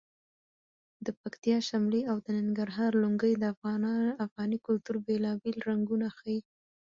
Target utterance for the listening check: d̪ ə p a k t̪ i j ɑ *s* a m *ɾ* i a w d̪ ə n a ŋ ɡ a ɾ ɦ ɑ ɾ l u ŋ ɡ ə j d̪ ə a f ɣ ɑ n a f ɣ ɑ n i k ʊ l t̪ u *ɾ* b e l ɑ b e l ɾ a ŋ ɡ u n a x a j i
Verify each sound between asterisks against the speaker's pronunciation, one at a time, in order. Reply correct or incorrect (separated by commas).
incorrect, incorrect, correct